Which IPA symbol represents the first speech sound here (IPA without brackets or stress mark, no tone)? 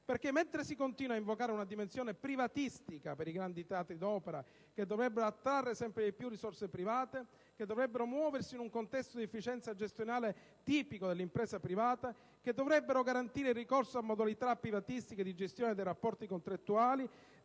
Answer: p